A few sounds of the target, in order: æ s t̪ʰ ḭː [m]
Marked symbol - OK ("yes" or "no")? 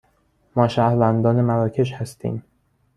yes